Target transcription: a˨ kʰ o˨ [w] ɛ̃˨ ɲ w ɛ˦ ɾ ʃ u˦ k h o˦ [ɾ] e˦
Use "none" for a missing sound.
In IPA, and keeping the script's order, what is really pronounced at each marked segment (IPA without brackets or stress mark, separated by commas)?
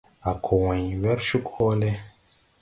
w, l